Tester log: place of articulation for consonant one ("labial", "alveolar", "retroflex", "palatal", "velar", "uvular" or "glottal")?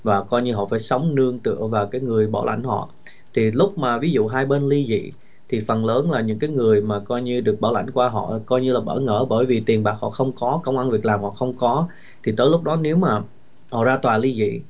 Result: labial